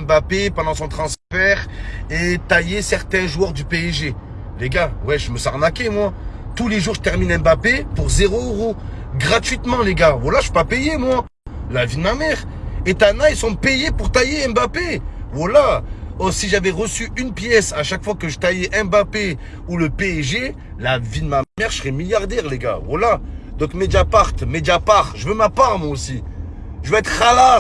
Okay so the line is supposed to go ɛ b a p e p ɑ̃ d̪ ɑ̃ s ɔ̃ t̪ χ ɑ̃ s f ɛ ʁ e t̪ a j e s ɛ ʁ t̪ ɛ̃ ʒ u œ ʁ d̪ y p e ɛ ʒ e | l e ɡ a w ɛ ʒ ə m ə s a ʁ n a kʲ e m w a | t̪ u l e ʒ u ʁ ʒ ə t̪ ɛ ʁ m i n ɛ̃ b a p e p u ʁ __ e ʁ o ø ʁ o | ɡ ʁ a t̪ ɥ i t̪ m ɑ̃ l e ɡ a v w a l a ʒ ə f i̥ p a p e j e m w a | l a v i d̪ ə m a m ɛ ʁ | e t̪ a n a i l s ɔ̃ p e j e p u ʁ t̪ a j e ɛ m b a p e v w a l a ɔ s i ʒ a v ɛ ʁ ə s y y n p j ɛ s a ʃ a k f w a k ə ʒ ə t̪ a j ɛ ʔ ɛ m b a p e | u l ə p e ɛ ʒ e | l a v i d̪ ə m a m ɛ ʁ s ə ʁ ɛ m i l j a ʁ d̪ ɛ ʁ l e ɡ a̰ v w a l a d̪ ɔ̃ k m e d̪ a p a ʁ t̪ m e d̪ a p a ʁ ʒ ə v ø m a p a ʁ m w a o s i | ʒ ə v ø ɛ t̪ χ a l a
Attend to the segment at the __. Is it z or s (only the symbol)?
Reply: z